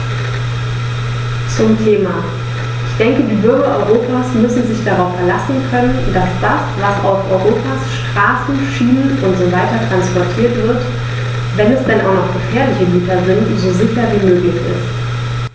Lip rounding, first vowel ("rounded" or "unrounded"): rounded